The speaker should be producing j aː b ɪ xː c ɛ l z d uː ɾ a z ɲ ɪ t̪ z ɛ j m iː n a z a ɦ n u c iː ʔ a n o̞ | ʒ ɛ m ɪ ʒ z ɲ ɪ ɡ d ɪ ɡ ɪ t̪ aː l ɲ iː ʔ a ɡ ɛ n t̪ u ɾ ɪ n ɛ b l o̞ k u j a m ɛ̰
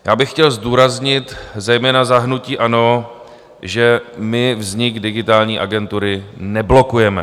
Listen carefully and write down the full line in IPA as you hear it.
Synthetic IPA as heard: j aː b ɪ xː c ɛ l z d uː ɾ a z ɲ ɪ t̪ z ɛ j m ɛː n a z a ɦ n u c iː ʔ a n o̞ | ʒ ɛ m ɪ v z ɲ ɪ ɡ d ɪ ɡ ɪ t̪ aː l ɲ iː ʔ a ɡ ɛ n t̪ u ɾ ɪ n ɛ b l o̞ k u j ɛ m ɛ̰